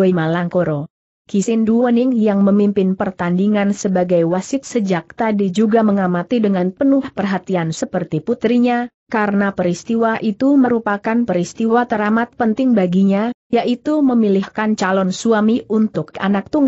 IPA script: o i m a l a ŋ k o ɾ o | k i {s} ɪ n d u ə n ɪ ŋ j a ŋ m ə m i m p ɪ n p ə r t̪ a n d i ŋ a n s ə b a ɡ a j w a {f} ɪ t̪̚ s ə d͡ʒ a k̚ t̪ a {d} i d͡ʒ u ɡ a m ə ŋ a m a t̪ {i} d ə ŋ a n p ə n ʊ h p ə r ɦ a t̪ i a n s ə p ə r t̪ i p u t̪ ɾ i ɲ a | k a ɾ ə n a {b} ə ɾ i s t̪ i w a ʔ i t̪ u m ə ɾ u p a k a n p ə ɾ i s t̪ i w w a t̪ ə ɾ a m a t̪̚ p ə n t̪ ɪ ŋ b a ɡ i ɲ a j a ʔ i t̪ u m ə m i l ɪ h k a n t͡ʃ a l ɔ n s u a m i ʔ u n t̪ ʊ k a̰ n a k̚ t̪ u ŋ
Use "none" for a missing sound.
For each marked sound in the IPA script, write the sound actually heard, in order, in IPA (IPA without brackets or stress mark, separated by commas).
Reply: s, s, d, i, p